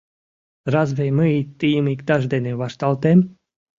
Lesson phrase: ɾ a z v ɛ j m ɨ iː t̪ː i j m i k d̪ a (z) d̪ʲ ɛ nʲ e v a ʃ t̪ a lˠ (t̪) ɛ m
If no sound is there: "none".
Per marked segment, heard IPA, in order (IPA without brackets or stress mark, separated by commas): ʒ, t̪